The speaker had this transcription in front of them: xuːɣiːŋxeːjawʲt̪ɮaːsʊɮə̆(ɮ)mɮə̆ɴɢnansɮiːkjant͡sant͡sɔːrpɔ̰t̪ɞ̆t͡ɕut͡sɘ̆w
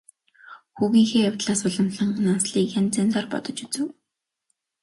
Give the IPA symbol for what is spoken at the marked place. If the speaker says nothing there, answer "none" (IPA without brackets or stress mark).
none